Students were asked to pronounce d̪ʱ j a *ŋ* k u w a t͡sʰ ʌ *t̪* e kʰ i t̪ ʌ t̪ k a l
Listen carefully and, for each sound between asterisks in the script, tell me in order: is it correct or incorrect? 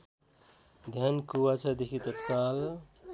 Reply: incorrect, incorrect

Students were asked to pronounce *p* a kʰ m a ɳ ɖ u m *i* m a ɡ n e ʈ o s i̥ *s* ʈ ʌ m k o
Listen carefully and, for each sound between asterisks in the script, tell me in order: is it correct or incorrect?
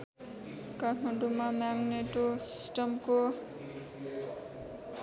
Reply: incorrect, incorrect, correct

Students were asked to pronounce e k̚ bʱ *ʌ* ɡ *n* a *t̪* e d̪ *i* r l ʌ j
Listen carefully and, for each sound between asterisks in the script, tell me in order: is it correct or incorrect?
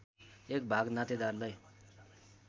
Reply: incorrect, correct, correct, incorrect

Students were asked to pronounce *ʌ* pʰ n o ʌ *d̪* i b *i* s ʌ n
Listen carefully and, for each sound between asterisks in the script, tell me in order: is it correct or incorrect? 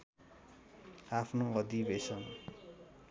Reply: incorrect, correct, incorrect

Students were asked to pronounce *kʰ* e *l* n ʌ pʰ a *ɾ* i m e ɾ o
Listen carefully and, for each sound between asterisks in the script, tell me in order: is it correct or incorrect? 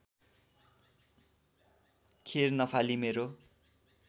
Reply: correct, incorrect, incorrect

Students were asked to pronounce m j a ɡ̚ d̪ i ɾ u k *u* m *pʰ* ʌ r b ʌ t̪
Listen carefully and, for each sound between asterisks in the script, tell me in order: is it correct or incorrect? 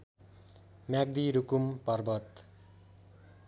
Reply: correct, incorrect

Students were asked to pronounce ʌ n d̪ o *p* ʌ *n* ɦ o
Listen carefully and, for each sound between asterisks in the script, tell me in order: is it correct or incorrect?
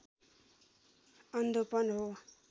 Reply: correct, correct

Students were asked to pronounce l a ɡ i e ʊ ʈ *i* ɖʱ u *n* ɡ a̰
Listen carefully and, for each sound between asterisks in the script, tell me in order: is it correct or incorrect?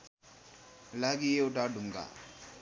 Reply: incorrect, incorrect

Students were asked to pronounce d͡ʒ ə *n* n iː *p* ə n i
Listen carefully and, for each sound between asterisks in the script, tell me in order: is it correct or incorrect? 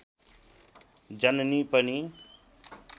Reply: correct, correct

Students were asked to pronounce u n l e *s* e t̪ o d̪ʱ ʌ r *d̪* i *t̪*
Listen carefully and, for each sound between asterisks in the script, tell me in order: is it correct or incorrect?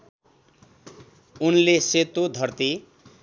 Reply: correct, incorrect, incorrect

